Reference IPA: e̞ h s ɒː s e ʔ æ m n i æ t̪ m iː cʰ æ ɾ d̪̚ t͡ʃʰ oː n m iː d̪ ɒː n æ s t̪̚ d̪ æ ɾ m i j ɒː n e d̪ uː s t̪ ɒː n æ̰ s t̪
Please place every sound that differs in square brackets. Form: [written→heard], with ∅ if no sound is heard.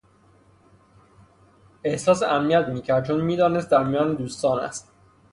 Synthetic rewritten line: e̞ h s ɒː s e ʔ æ m n i æ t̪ m iː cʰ æ ɾ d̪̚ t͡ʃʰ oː n m iː d̪ ɒː n [æ→e] s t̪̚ d̪ æ ɾ m i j ɒː n e d̪ uː s t̪ ɒː n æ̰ s t̪